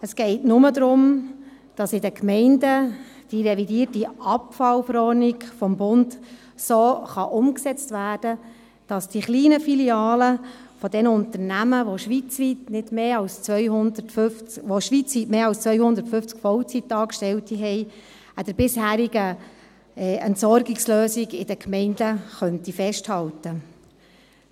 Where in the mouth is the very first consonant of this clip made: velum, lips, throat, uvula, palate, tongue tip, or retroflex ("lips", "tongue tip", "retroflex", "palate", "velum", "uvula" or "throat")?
tongue tip